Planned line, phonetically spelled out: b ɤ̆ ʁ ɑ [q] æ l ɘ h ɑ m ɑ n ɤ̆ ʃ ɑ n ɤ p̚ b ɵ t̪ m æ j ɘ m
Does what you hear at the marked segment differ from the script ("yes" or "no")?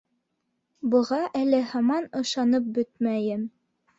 yes